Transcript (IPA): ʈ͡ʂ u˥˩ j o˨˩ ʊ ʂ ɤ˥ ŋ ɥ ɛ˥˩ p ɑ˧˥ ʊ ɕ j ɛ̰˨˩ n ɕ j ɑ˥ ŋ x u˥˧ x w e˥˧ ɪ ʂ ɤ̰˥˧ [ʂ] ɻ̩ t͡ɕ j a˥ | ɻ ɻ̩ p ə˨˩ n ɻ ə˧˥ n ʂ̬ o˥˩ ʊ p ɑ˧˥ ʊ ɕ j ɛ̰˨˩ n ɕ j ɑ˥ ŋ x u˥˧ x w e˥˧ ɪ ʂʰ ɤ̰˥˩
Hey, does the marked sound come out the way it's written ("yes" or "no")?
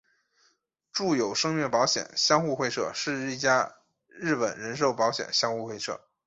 yes